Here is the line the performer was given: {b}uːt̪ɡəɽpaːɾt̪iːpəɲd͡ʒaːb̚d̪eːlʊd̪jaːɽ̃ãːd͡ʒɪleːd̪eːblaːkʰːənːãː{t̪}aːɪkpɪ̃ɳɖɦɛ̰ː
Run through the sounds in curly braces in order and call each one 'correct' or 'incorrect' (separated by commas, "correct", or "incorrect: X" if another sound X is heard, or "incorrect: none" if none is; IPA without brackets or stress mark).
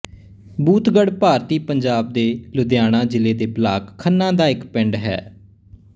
correct, incorrect: d̪